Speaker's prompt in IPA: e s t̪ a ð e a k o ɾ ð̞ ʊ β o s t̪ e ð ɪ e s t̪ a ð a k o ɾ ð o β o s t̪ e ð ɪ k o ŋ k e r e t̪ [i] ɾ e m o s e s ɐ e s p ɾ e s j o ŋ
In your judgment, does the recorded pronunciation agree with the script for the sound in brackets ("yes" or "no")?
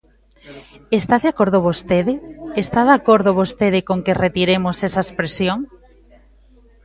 yes